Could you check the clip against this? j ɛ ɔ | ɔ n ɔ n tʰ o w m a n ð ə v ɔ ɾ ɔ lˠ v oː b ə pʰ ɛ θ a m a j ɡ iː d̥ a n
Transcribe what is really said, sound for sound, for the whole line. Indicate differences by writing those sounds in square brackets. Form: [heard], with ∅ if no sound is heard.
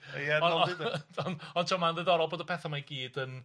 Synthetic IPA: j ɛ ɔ | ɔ n ɔ n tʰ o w m a n ð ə [ð] ɔ ɾ ɔ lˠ [b] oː [d] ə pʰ ɛ θ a m a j ɡ iː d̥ [ə] n